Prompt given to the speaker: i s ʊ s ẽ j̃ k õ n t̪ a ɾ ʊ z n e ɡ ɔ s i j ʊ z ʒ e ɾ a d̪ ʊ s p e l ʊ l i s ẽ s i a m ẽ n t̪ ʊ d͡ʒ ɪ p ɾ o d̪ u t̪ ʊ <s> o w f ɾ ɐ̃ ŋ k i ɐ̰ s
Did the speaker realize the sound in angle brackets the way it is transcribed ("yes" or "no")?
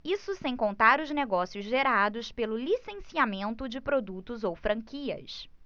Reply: no